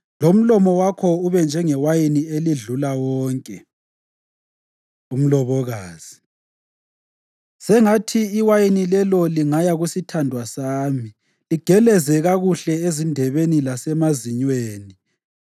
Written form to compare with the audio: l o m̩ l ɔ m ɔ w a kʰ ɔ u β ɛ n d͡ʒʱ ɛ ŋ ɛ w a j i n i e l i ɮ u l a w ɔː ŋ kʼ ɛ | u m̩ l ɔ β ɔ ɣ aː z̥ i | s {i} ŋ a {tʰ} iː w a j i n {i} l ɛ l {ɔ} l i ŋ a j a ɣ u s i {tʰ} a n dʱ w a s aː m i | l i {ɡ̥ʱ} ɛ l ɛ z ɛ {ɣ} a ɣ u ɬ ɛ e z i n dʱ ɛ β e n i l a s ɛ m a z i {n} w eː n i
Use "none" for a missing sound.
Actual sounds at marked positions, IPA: ɛ, tʰ, i, ɔ, tʰ, ɡ̥ʱ, ɣ, ɲ

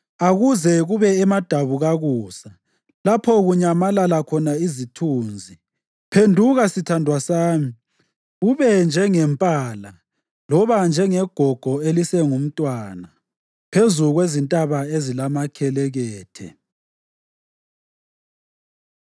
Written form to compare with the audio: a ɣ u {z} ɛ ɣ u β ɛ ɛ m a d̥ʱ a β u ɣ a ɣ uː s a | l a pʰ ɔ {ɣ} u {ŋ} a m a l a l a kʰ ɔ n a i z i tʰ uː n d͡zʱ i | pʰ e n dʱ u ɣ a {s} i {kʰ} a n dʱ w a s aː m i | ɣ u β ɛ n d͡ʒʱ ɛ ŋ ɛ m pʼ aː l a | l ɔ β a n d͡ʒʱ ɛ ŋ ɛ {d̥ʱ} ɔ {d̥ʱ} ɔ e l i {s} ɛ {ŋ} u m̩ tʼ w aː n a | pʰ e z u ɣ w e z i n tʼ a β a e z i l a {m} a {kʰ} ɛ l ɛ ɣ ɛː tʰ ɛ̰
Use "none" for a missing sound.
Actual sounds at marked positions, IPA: z, ɣ, ɲ, s, tʰ, ɡ̥ʱ, ɡ̥ʱ, s, ŋ, m, kʰ

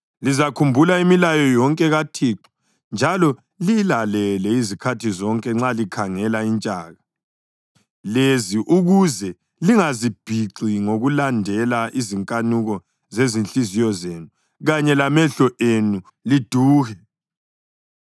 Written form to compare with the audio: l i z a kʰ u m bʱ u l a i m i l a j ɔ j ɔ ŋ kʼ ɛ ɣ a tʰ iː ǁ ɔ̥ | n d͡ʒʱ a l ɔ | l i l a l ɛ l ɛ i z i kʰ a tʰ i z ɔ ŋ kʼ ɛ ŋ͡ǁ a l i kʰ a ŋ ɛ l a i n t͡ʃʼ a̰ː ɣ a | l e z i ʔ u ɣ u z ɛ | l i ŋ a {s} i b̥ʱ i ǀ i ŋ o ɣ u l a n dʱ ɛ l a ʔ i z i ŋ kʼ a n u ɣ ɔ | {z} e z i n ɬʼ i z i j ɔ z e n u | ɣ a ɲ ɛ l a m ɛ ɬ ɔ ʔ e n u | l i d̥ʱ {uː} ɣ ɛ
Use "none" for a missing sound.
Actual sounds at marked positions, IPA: z, z, uː

